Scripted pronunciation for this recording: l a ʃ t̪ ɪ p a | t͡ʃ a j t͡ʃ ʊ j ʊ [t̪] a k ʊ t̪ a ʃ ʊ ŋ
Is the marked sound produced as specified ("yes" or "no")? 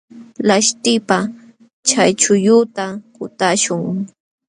yes